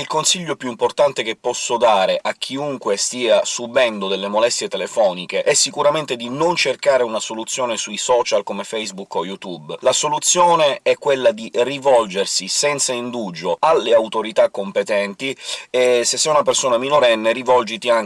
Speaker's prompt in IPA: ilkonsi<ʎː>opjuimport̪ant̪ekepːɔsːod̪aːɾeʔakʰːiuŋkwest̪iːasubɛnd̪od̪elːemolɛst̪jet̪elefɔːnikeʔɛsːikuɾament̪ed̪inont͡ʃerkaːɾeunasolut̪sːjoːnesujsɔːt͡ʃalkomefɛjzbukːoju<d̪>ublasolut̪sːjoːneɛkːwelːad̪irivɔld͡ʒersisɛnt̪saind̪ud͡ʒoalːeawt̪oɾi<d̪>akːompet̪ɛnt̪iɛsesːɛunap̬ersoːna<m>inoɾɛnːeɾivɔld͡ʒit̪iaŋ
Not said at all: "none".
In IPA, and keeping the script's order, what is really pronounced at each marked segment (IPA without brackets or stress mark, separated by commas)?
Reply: ʎː, t̪, t̪, m